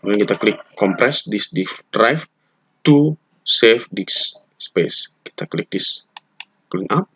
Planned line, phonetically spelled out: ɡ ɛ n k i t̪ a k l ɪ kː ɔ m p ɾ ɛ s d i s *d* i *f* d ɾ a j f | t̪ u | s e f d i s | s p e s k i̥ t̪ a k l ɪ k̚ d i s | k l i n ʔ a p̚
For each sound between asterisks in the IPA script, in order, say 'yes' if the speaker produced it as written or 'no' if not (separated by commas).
yes, yes